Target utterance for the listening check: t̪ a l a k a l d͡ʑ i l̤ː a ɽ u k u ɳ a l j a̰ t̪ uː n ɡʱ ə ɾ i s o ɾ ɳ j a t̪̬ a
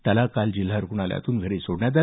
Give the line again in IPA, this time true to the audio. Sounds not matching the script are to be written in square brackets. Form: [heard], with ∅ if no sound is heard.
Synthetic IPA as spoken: t̪ a l a k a l d͡ʑ i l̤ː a [ɾ] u k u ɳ a l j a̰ t̪ uː n ɡʱ ə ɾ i s o [ɽ] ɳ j a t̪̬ a

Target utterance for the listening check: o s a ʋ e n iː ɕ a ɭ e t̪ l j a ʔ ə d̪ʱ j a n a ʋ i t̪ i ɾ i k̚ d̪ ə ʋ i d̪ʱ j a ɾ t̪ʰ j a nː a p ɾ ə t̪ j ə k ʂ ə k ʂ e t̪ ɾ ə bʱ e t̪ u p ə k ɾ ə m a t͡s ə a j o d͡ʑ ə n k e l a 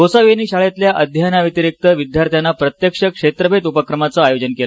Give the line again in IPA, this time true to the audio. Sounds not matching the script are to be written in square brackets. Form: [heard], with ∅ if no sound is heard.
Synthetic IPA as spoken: o s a ʋ e n iː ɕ a ɭ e t̪ l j a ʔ ə d̪ʱ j a n a ʋ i t̪ i ɾ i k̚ [t̪] ə ʋ i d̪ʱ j a ɾ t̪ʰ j a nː a p ɾ ə t̪ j ə k ʂ ə k ʂ e t̪ ɾ ə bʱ e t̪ u p ə k ɾ ə m a t͡s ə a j o d͡ʑ ə n k e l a

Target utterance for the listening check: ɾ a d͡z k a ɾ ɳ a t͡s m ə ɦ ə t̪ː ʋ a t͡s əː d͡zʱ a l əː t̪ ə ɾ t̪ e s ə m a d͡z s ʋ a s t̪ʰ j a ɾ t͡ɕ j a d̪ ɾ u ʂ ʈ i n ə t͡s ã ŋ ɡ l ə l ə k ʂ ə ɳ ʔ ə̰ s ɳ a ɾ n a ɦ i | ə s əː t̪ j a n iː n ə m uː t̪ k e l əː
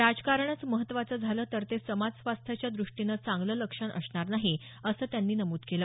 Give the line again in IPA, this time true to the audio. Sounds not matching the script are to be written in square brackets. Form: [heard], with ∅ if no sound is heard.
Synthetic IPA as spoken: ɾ a d͡z k a ɾ ɳ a t͡s m ə ɦ ə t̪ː ʋ a t͡s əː d͡zʱ a l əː t̪ ə ɾ t̪ e s ə m a d͡z s ʋ a s t̪ʰ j a [∅] t͡ɕ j a d̪ ɾ u ʂ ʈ i n ə t͡s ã ŋ ɡ l ə l ə k ʂ ə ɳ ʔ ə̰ s ɳ a ɾ n a ɦ i | ə s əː t̪ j a [nː] iː n ə m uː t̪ k e l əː

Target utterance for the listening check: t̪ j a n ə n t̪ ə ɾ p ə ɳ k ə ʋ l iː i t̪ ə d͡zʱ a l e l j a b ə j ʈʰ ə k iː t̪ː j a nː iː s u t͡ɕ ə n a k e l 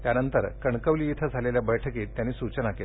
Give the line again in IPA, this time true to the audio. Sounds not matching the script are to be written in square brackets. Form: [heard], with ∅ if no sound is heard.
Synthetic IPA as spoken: t̪ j a n ə n t̪ ə ɾ [k] ə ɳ k ə ʋ l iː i [t̪ʰ] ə d͡zʱ a l e l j a b ə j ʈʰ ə k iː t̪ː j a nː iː s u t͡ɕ ə n a k e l

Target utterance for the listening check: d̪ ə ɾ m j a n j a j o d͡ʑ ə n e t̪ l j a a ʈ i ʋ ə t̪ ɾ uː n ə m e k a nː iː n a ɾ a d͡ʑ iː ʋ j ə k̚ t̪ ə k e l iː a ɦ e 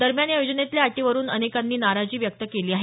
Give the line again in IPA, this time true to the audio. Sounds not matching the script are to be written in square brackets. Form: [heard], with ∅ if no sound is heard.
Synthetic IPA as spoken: d̪ ə ɾ m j a n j a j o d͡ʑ ə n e t̪ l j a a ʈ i ʋ ə [∅] ɾ uː n ə [n] e k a nː iː n a ɾ a d͡ʑ iː ʋ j ə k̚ t̪ ə k e l iː a ɦ e

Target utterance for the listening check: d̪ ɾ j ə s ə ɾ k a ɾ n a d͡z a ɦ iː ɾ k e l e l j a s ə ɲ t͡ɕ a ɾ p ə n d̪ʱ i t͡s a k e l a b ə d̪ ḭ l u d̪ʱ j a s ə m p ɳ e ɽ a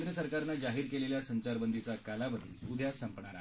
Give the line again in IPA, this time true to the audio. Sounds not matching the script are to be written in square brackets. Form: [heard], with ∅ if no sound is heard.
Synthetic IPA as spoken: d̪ ɾ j ə s ə ɾ k a ɾ n a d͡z a ɦ iː ɾ k e l e l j a s ə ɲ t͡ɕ a ɾ [b] ə n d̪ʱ i t͡s a k [a] l a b ə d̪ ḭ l u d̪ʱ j a s ə m p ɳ [a] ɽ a

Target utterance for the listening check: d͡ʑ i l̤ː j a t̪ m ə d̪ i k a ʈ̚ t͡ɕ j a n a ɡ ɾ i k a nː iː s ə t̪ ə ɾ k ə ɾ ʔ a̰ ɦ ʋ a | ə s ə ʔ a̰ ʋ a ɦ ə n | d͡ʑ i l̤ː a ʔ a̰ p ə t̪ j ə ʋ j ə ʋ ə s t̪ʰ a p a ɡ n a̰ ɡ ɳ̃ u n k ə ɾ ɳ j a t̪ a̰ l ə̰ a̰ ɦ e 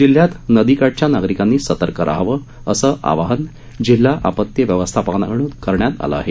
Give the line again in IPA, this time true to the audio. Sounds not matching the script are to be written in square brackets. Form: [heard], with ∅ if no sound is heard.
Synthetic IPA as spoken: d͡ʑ i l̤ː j a t̪ [n] ə d̪ i k a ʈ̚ t͡ɕ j a n a ɡ ɾ i k a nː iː s ə t̪ ə ɾ k ə ɾ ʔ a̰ ɦ ʋ [ə] | ə s ə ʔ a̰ ʋ a ɦ ə n | d͡ʑ i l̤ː a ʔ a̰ p ə t̪ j ə ʋ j ə ʋ ə s t̪ʰ a p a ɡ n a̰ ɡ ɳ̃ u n k ə ɾ ɳ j a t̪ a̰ l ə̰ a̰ ɦ e

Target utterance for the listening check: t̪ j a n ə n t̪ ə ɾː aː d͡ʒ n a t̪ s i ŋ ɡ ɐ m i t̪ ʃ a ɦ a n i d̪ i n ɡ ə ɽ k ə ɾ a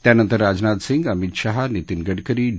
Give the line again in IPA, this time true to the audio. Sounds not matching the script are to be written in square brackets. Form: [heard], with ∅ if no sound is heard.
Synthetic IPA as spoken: t̪ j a n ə n t̪ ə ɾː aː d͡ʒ n a t̪ s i ŋ ɡ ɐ m i t̪ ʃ a ɦ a n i [t̪] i n ɡ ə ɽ k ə ɾ [i]

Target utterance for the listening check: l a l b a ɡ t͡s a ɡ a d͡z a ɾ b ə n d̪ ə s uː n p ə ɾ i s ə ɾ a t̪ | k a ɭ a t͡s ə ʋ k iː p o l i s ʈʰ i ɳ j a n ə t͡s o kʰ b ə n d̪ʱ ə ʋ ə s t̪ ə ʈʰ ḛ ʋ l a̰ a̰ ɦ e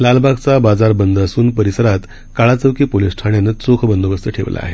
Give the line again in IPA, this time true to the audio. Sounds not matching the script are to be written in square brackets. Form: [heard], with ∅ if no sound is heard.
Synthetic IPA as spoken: l a l b a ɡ t͡s a [b] a d͡z a ɾ b ə n d̪ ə s uː n p ə ɾ i s ə ɾ a t̪ | k a ɭ a t͡s ə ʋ k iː p o l i s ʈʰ [a] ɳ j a n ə t͡s o kʰ b ə n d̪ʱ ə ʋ ə s t̪ ə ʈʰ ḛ ʋ l a̰ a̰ ɦ e

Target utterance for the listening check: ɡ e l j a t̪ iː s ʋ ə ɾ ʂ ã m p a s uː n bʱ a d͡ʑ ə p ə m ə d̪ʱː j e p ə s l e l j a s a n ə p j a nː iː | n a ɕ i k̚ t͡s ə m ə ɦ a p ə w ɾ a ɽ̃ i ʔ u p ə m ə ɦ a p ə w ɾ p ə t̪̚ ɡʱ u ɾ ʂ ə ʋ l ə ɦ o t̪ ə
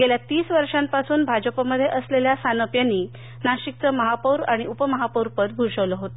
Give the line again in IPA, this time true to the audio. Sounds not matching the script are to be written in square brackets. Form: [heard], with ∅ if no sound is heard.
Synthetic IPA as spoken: ɡ e l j a t̪ iː s ʋ ə ɾ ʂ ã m p a s uː n bʱ a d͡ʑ ə p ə m ə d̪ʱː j e [ʔ] ə s l e l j a s a n ə p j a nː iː | n a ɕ i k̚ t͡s ə m ə ɦ a p ə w ɾ a ɽ̃ i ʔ u p ə m ə ɦ a p ə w ɾ p ə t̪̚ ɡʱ u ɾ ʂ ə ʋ l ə ɦ o t̪ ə

